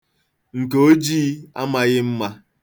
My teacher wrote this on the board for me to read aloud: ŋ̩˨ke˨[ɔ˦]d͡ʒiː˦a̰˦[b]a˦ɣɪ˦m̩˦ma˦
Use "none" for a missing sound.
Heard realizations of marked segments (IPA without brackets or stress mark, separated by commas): o˦, m